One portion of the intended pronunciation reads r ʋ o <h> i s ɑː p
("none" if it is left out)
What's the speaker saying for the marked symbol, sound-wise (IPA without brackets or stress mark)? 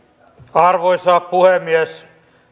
none